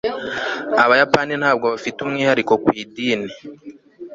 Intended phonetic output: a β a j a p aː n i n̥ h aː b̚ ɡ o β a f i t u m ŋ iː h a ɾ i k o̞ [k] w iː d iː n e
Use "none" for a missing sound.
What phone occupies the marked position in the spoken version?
k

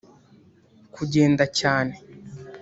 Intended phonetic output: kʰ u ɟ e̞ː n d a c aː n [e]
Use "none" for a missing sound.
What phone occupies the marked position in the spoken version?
e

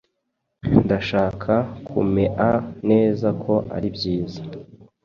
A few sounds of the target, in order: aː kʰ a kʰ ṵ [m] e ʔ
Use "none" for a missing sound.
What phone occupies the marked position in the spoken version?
m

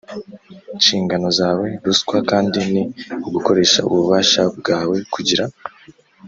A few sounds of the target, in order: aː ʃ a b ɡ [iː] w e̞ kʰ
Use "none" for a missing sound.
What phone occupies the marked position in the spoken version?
aː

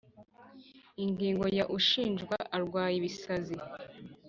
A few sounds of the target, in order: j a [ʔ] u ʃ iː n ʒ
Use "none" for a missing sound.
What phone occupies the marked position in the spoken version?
ʔ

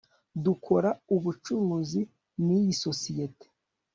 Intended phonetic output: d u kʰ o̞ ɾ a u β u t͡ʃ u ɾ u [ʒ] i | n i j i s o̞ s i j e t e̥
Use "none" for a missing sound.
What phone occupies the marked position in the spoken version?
z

